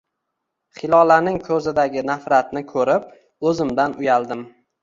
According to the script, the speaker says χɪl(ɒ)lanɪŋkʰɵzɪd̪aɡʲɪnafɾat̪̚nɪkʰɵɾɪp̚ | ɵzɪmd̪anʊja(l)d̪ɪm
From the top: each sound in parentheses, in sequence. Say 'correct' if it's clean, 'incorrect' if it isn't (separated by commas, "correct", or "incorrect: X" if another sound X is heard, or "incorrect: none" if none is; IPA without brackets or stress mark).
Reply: correct, correct